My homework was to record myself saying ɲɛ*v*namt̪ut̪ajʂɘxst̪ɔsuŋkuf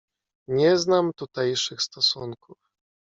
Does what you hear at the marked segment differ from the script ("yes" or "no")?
yes